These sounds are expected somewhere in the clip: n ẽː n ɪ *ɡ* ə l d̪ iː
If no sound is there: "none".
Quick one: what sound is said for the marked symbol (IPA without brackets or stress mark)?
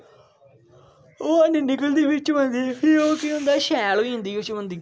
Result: k